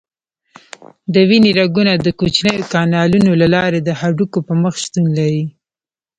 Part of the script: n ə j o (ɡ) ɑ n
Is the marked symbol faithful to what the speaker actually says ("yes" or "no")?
no